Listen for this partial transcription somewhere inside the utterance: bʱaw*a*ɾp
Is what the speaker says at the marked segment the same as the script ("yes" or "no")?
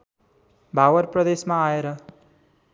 no